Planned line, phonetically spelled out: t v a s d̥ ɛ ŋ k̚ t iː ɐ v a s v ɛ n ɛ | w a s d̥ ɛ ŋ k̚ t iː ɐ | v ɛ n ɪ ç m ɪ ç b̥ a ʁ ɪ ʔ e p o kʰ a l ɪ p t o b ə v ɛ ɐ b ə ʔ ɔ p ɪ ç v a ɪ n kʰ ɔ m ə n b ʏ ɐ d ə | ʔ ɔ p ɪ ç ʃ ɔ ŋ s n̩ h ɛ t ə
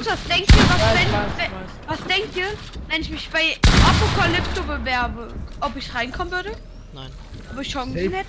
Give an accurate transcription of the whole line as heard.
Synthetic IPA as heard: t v a s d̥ ɛ ŋ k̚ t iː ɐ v a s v ɛ n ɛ | v a s d̥ ɛ ŋ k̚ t iː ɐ | v ɛ n ɪ ç m ɪ ç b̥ a ɪ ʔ a p o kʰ a l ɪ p t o b ə v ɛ ɐ b ə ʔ ɔ p ɪ ç ʁ a ɪ n kʰ ɔ m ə n v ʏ ɐ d ə | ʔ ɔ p ɪ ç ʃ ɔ ŋ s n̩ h ɛ t ə